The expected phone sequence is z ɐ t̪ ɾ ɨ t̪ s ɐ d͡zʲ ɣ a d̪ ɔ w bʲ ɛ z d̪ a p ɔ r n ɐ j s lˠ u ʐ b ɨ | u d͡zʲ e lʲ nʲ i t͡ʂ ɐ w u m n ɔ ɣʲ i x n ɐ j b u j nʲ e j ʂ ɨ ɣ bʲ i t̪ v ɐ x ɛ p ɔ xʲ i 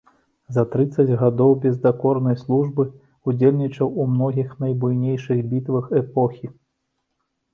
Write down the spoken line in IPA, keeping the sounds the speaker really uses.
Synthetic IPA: z ɐ t̪ ɾ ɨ t̪ s ɐ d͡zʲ ɣ a d̪ ɔ w bʲ ɛ z d̪ a k ɔ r n ɐ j s lˠ u ʐ b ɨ | u d͡zʲ e lʲ nʲ i t͡ʂ ɐ w u m n ɔ ɣʲ i x n ɐ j b u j nʲ e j ʂ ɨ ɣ bʲ i t̪ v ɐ x ɛ p ɔ xʲ i

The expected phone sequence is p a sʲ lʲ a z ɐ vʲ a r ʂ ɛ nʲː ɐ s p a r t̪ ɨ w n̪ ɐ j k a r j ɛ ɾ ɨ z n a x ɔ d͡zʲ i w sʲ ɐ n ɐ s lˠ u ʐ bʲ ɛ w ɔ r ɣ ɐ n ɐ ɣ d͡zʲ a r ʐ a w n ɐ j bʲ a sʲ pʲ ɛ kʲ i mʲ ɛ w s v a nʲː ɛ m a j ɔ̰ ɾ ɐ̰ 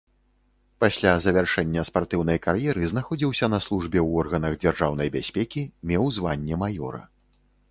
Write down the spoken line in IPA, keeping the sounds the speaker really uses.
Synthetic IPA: p a sʲ lʲ a z ɐ vʲ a r ʂ ɛ nʲː ɐ s p a r t̪ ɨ w n̪ ɐ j k a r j ɛ ɾ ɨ z n a x ɔ d͡zʲ i w sʲ ɐ n ɐ s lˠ u ʐ bʲ ɛ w ɔ r ɣ ɐ n ɐ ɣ d͡zʲ a r ʐ a w n ɐ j bʲ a sʲ pʲ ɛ kʲ i mʲ ɛ w z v a nʲː ɛ m a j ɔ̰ ɾ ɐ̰

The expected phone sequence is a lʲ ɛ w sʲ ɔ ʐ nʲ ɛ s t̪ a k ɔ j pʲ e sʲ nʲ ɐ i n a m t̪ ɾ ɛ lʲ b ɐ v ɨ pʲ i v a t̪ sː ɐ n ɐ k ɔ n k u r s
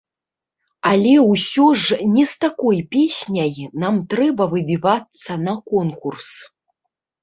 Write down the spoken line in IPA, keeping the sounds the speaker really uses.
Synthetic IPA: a lʲ ɛ w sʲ ɔ ʐ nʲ ɛ s t̪ a k ɔ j pʲ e sʲ nʲ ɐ j n a m t̪ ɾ ɛ b ɐ v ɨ bʲ i v a t̪ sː ɐ n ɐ k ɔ n k u r s

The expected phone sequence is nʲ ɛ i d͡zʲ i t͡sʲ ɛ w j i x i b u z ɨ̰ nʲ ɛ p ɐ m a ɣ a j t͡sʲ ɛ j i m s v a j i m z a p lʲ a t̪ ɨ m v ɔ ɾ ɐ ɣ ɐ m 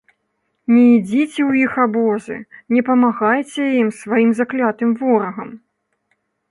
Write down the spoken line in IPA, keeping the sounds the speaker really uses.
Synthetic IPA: nʲ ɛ i d͡zʲ i t͡sʲ ɛ w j i x a b ɔ z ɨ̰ nʲ ɛ p ɐ m a ɣ a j t͡sʲ ɛ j i m s v a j i m z a k lʲ a t̪ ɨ m v ɔ ɾ ɐ ɣ ɐ m

